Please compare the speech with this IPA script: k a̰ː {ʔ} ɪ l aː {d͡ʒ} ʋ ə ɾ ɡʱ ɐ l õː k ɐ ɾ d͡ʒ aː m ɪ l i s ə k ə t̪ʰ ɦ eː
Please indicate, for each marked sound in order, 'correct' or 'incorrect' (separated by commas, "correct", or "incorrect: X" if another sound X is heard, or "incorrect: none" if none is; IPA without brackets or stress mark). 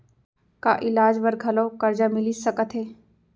correct, correct